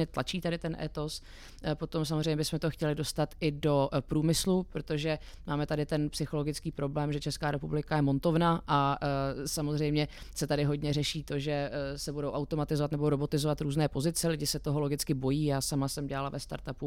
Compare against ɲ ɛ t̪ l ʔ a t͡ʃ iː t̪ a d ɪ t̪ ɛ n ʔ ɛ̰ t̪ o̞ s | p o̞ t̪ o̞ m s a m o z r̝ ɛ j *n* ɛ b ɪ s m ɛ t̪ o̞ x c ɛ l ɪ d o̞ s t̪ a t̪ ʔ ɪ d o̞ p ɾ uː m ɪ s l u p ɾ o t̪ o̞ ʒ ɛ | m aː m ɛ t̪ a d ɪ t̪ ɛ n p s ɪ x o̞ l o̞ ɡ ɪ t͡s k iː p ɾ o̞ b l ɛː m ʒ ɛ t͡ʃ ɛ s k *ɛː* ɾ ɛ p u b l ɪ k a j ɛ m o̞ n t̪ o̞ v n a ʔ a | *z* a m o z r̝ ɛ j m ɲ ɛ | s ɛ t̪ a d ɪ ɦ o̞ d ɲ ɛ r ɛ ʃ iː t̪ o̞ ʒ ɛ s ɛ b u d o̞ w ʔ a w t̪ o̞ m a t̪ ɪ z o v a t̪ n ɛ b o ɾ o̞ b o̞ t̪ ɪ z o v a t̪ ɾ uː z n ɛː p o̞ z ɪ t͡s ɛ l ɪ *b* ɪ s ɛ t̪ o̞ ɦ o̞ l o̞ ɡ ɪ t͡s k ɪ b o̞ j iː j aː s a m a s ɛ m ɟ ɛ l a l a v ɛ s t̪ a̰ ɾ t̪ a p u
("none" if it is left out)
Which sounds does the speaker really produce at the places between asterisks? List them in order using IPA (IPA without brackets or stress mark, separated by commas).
ɲ, aː, s, ɟ